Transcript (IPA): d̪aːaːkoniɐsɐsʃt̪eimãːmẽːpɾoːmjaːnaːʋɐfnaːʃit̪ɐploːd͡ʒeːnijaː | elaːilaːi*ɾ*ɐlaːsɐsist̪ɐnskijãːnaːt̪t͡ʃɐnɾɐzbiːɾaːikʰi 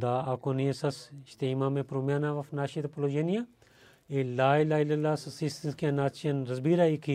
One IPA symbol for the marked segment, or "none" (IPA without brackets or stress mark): l